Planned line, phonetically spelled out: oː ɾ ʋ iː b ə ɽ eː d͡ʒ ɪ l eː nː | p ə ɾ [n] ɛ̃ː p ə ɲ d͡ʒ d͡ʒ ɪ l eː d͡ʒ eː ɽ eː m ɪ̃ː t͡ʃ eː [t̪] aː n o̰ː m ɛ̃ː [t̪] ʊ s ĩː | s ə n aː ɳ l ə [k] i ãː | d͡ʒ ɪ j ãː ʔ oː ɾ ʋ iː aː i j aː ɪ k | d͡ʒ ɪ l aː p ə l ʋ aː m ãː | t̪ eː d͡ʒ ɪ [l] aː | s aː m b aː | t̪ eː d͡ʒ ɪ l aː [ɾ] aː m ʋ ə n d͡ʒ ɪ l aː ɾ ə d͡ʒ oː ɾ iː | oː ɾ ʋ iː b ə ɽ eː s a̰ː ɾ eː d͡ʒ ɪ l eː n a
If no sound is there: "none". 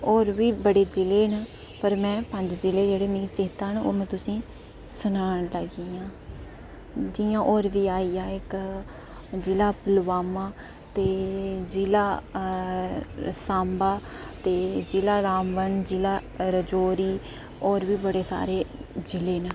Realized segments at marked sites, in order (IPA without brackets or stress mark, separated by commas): m, t̪, t̪, ɡ, l, ɾ